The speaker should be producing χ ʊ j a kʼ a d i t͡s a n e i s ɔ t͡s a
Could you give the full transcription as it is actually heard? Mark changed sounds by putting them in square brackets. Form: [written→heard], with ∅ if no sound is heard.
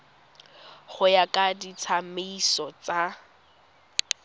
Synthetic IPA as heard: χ ʊ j a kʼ a d i [t͡s→t͡sʰ] a [n→m] e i s ɔ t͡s a